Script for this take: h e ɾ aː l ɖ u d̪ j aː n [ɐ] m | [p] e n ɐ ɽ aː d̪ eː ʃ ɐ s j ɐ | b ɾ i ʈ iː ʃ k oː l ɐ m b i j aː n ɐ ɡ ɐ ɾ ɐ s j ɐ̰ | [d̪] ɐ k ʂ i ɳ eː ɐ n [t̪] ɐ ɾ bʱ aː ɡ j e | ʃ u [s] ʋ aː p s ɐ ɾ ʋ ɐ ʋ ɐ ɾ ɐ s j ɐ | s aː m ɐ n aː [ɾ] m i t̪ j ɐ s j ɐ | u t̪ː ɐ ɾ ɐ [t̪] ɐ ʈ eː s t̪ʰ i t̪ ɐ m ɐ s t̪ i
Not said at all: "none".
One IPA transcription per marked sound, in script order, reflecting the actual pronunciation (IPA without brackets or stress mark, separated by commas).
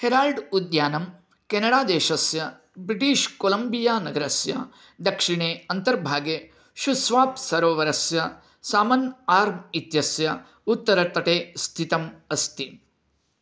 ɐ, k, d̪, t̪, s, ɾ, t̪